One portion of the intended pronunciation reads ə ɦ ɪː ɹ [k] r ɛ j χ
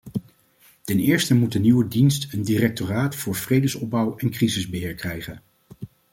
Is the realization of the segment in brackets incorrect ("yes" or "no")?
no